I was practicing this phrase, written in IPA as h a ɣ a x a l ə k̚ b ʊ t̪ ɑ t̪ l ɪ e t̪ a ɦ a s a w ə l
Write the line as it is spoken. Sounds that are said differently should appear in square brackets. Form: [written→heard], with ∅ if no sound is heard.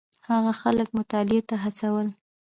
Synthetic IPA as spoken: h a ɣ a x a l ə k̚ [b→m] ʊ t̪ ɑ [t̪→∅] l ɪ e t̪ a ɦ a [s→t͡s] a w ə l